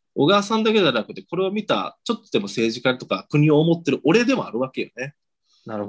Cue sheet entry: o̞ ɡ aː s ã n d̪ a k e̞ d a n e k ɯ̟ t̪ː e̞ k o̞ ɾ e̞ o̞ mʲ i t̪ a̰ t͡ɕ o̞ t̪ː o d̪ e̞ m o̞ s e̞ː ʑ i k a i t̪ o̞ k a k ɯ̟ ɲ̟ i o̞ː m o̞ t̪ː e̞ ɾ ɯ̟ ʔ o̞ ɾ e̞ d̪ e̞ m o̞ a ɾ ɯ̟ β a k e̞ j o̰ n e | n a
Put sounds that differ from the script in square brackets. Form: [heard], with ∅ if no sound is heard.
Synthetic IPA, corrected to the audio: o̞ ɡ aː s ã n d̪ a k e̞ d a n [a] k ɯ̟ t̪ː e̞ k o̞ ɾ e̞ o̞ mʲ i t̪ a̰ t͡ɕ o̞ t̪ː o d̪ e̞ m o̞ s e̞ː ʑ i k a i t̪ o̞ k a k ɯ̟ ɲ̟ i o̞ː m o̞ t̪ː e̞ ɾ ɯ̟ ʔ o̞ ɾ e̞ d̪ e̞ m o̞ a ɾ ɯ̟ β a k e̞ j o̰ n e | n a